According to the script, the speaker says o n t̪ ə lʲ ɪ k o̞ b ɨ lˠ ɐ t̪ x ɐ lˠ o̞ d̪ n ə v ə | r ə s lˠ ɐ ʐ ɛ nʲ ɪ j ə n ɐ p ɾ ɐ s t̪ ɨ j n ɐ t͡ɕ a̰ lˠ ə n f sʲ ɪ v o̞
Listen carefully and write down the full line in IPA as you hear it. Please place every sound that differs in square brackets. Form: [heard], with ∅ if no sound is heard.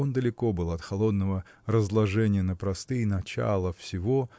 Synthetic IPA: o n [d̪] ə lʲ ɪ k o̞ b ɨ lˠ ɐ t̪ x ɐ lˠ o̞ d̪ n ə v ə | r ə [z] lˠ ɐ ʐ ɛ nʲ ɪ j ə n [ə] p ɾ ɐ s t̪ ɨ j n ɐ t͡ɕ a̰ lˠ ə [∅] f sʲ ɪ v o̞